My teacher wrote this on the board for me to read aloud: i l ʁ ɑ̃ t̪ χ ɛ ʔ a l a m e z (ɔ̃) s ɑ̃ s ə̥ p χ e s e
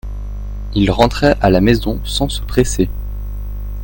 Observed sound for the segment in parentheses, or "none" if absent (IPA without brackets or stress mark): ɔ̃